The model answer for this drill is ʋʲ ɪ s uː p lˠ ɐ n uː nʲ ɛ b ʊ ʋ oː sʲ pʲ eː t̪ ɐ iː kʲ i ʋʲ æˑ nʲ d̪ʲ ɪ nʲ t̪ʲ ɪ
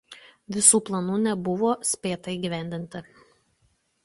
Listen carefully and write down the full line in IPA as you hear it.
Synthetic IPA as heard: ʋʲ ɪ s uː p lˠ ɐ n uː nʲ ɛ b ʊ ʋ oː sʲ pʲ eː t̪ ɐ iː ɡʲ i ʋʲ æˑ nʲ d̪ʲ ɪ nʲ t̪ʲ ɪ

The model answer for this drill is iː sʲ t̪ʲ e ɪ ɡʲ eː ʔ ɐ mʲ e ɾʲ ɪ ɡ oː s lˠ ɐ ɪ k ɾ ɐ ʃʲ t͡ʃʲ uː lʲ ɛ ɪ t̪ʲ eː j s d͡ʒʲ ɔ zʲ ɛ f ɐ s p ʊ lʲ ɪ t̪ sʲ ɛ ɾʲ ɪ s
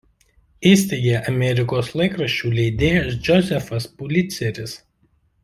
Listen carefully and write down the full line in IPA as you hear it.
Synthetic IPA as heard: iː sʲ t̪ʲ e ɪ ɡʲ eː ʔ ɐ mʲ ɛ ɾʲ ɪ k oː s lˠ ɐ ɪ k ɾ ɐ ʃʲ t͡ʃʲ uː lʲ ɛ ɪ d̪ʲ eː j s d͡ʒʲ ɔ zʲ ɛ f ɐ s p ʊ lʲ ɪ t̪ sʲ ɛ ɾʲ ɪ s

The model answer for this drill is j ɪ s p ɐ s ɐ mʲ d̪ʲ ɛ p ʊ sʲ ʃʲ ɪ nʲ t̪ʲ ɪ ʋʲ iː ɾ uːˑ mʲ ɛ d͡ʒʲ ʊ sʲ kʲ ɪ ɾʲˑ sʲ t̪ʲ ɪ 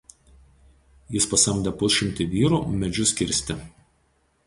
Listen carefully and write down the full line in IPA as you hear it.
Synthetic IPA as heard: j ɪ s p ɐ s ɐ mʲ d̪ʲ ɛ p ʊ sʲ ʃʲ ɪ mʲ t̪ʲ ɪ ʋʲ iː ɾ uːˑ mʲ ɛ d͡ʒʲ ʊ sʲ kʲ ɪ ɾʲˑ sʲ t̪ʲ ɪ

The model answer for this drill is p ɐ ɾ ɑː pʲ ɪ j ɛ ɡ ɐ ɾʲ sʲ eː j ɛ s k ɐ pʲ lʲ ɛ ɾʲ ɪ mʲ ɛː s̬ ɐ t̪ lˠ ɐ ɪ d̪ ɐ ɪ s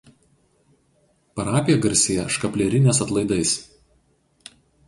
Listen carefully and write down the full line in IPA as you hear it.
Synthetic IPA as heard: p ɐ ɾ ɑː pʲ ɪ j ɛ ɡ ɐ ɾʲ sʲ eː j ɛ ʃ k ɐ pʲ lʲ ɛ ɾʲ ɪ nʲ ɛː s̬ ɐ t̪ lˠ ɐ ɪ d̪ ɐ ɪ s

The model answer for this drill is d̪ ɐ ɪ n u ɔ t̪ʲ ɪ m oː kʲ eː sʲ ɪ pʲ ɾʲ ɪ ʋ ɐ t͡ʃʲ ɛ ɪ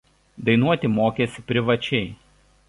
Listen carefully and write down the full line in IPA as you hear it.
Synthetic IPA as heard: d̪ ɐ ɪ n u ɔ t̪ʲ ɪ m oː kʲ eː sʲ ɪ pʲ ɾʲ ɪ ʋ ɐ t͡ʃʲ ɛ ɪ

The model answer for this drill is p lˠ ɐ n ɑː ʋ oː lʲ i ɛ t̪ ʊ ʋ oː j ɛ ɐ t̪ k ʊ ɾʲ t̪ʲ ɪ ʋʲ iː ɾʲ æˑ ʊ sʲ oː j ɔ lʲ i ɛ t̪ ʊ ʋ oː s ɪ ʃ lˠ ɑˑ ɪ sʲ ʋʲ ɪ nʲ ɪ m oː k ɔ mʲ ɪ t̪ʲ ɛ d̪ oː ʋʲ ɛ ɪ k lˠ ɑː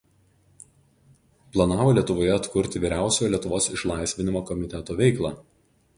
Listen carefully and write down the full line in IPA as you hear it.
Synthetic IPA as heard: p lˠ ɐ n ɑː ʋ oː lʲ i ɛ t̪ ʊ ʋ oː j ɛ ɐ t̪ k ʊ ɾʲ t̪ʲ ɪ ʋʲ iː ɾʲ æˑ ʊ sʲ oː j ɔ lʲ i ɛ t̪ ʊ ʋ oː s ɪ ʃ lˠ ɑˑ ɪ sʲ ʋʲ ɪ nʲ ɪ m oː k ɔ mʲ ɪ t̪ʲ ɛ t̪ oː ʋʲ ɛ ɪ k lˠ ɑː

